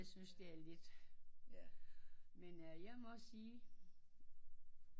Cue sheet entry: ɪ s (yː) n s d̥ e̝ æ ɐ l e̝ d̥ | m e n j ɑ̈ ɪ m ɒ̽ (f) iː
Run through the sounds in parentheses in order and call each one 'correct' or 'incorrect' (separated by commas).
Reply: incorrect, incorrect